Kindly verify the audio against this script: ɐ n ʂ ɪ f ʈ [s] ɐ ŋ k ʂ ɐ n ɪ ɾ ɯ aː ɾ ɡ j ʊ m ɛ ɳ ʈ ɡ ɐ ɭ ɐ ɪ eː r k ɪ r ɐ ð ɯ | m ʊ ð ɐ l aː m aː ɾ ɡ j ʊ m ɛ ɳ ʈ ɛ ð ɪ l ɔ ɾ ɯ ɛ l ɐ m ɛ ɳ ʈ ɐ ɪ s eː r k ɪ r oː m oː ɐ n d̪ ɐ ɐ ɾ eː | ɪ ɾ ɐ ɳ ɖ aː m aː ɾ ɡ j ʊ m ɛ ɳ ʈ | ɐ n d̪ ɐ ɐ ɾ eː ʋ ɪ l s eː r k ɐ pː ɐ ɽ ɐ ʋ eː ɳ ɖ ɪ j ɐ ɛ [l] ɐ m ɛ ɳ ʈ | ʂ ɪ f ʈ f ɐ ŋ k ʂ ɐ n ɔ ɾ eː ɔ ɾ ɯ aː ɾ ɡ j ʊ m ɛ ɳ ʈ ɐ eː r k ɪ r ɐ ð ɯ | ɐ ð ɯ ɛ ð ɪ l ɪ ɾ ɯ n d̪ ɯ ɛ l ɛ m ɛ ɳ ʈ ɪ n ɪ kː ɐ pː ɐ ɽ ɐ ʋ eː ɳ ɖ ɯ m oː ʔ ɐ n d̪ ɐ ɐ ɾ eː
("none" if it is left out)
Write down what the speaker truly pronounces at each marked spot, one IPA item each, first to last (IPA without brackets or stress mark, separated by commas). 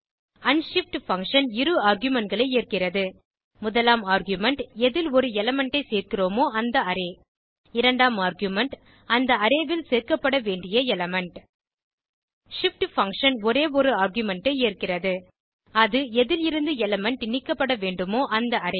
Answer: f, l